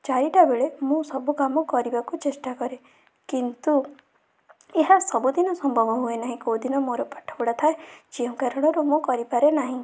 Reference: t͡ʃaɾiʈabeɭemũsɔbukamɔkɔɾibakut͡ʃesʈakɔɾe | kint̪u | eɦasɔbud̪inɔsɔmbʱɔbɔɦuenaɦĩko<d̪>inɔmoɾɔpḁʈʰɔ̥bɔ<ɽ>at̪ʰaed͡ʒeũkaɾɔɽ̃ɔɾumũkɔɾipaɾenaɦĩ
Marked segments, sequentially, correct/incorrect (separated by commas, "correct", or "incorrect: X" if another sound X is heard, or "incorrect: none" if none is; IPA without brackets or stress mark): correct, correct